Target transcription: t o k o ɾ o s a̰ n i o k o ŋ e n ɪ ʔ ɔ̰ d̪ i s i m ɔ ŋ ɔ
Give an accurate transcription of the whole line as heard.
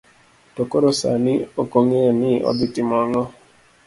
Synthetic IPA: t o k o ɾ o s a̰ n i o k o ŋ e n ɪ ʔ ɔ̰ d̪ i t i m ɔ ŋ ɔ